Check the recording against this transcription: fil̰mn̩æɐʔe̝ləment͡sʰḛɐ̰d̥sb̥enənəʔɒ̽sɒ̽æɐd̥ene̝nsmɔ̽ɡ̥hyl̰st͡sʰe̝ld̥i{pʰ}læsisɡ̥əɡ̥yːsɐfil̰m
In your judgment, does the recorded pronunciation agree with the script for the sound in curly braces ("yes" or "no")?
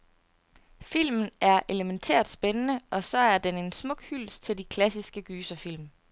no